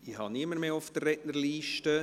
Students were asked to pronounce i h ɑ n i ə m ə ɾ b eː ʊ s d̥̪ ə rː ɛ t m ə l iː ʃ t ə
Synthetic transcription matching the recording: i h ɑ n i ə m ə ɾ m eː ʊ f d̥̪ ə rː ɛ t n ə l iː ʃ t ə